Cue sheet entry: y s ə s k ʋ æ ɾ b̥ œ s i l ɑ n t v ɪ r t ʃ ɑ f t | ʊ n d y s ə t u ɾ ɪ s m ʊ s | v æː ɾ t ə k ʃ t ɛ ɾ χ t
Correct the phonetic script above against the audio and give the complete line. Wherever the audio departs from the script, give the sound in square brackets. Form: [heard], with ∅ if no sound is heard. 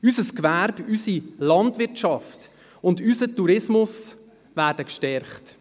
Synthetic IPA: y s ə s k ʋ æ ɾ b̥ [y] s i l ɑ n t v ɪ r t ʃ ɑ f t | ʊ n d y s ə t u ɾ ɪ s m ʊ s | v æː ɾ [d] ə k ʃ t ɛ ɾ χ t